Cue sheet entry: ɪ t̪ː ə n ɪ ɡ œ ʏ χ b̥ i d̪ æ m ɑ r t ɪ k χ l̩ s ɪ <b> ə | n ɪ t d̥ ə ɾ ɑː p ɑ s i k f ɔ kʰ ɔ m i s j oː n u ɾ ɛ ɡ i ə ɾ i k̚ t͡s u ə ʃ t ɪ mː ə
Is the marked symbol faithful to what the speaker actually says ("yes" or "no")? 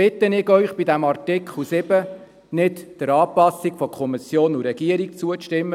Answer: yes